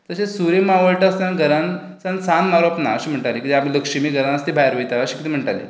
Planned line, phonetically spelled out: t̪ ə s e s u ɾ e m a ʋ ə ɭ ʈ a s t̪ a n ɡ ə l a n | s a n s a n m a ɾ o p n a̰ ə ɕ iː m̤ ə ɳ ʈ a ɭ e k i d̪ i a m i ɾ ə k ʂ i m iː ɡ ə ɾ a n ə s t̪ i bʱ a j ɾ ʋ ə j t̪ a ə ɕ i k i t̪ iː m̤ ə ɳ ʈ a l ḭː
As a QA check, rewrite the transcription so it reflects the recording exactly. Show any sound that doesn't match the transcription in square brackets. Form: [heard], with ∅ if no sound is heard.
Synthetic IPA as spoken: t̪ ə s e s u ɾ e m a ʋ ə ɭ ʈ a s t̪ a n ɡ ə [ɾ] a n | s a n s a n m a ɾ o p n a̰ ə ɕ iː m̤ ə ɳ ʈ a [l] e k i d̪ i a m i [l] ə k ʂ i m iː ɡ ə ɾ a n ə s t̪ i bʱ a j ɾ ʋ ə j t̪ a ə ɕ i k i t̪ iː m̤ ə ɳ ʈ a l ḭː